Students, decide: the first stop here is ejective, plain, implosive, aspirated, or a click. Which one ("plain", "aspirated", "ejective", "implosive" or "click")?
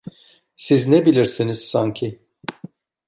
plain